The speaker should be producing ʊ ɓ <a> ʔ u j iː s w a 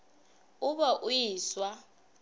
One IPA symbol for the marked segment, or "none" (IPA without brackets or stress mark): a